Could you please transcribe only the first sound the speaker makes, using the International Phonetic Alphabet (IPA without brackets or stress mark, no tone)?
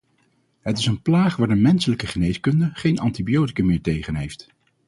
ɦ